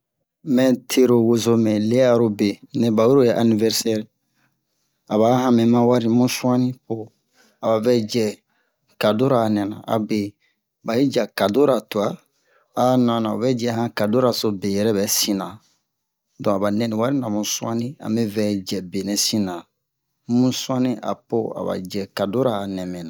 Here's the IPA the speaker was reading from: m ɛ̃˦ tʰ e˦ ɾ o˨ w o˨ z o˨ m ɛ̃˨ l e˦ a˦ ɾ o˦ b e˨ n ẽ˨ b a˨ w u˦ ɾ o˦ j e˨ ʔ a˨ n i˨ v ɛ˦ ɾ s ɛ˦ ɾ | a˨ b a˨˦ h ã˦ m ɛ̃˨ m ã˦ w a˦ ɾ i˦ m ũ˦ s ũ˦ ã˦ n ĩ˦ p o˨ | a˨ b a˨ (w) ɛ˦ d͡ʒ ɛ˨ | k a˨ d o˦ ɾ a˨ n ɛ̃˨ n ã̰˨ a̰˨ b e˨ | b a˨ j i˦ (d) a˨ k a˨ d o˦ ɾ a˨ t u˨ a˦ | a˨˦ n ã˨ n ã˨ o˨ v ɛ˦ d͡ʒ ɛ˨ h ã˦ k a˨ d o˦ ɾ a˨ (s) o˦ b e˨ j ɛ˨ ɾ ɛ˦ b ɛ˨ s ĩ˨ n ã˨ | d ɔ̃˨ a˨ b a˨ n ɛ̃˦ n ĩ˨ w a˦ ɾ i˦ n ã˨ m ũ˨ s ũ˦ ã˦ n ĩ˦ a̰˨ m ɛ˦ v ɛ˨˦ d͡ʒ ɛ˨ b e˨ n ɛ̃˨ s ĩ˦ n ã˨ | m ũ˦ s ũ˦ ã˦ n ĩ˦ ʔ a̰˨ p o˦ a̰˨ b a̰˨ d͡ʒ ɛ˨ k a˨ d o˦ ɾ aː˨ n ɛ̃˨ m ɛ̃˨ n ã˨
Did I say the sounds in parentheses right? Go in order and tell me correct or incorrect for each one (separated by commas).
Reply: incorrect, incorrect, correct